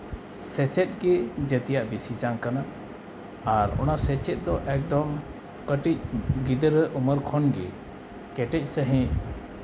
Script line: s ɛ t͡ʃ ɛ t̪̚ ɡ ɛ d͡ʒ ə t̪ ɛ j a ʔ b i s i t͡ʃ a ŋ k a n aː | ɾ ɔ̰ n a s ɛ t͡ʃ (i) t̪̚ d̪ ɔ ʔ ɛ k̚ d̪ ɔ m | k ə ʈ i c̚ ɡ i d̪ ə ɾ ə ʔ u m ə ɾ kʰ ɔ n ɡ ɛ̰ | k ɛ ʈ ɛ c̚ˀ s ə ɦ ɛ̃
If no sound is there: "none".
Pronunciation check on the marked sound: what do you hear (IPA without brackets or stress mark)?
ɛ